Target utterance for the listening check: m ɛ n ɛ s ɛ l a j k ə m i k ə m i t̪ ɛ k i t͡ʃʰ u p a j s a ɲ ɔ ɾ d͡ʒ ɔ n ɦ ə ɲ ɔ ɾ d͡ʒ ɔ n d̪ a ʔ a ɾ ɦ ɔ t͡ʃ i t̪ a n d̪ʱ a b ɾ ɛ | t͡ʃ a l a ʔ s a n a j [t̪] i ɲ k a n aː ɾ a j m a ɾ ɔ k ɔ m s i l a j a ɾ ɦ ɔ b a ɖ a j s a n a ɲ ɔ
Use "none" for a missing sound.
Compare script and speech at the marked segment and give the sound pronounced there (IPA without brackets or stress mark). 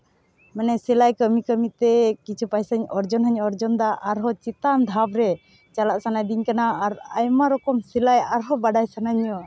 d̪